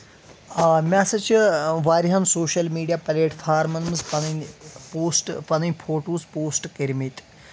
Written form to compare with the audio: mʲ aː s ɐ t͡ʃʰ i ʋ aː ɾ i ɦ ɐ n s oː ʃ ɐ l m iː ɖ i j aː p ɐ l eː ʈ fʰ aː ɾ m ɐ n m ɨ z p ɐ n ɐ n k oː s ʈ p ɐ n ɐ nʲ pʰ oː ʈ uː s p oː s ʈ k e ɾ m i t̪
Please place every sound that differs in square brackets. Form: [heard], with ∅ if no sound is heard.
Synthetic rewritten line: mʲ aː s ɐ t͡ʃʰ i ʋ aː ɾ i ɦ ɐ n s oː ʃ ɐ l m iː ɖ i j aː p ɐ l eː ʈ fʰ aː ɾ m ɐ n m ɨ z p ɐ n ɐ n [p] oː s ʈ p ɐ n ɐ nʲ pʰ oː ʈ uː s p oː s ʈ k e ɾ m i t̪